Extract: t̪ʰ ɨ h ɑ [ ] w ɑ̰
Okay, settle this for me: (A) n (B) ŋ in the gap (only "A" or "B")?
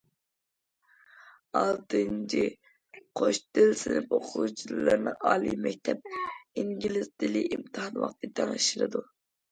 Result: A